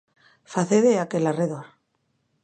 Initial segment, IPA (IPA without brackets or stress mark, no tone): f